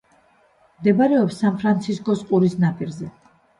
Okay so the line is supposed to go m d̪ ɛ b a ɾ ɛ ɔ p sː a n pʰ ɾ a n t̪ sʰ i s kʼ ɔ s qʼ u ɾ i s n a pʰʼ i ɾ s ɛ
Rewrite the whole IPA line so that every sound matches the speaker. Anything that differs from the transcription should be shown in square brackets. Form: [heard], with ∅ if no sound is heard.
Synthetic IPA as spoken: m d̪ ɛ b a ɾ ɛ ɔ p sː a n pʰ ɾ a n t̪ sʰ i s kʼ ɔ s qʼ u ɾ i s n a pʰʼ i ɾ [z] ɛ